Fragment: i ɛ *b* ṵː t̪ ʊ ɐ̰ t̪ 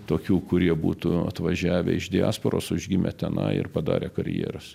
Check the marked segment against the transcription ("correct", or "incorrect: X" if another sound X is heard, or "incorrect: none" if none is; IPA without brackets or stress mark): correct